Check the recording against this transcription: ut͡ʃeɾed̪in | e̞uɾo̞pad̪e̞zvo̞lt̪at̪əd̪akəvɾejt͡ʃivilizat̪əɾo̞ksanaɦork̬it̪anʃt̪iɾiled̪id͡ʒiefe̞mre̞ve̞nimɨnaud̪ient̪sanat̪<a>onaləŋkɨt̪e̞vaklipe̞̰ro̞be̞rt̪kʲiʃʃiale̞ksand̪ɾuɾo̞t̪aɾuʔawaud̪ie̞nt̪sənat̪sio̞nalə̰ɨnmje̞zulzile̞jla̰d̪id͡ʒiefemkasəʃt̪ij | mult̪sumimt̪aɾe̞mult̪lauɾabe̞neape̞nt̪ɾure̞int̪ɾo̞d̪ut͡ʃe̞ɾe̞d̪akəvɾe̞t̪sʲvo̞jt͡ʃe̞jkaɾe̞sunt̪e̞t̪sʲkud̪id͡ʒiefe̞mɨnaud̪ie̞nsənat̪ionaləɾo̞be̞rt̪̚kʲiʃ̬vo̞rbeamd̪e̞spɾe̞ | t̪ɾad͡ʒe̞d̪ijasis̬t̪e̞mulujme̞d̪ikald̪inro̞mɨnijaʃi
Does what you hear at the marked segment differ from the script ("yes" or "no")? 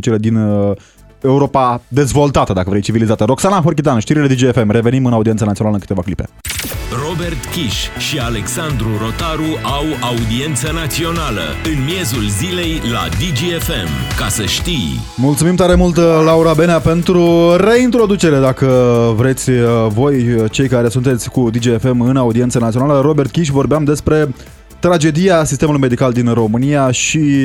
yes